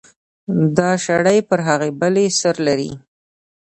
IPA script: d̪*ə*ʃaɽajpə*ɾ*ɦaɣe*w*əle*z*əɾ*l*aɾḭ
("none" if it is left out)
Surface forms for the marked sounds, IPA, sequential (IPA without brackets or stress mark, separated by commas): ɑ, ɾ, b, s, l